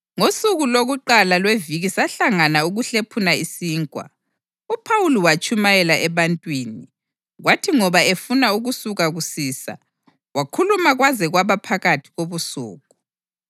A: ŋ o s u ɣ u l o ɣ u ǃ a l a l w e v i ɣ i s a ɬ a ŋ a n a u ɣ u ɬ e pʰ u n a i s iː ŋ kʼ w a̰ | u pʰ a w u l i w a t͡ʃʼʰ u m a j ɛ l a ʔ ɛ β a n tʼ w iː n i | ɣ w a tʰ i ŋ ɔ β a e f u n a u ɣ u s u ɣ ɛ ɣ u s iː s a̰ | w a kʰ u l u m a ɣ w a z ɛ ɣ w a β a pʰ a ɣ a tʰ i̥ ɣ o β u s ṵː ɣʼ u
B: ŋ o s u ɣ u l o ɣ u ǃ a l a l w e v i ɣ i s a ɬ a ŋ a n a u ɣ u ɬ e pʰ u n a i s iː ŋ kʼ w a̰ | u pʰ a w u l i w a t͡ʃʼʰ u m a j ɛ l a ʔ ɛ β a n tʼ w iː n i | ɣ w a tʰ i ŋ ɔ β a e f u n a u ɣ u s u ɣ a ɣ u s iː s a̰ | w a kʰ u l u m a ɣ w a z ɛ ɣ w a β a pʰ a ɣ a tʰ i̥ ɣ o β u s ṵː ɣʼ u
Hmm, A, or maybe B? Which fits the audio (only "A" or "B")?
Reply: B